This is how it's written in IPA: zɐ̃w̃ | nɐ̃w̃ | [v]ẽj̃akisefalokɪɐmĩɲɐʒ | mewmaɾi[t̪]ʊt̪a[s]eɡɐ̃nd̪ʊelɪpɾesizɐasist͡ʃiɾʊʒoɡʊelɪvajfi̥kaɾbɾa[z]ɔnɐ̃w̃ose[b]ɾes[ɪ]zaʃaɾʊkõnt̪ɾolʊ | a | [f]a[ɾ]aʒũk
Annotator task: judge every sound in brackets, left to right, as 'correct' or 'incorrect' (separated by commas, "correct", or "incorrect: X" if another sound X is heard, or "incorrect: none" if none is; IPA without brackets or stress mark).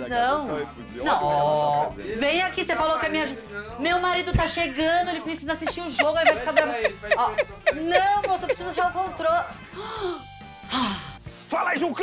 correct, incorrect: d̪, incorrect: ʃ, incorrect: v, incorrect: p, incorrect: i, correct, incorrect: l